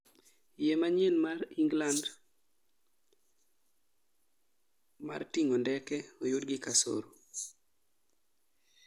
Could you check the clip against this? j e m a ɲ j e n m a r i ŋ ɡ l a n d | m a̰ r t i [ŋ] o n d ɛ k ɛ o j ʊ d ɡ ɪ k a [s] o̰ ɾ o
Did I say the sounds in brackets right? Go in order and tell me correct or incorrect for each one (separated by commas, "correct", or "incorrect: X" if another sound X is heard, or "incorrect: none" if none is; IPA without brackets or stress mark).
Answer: correct, correct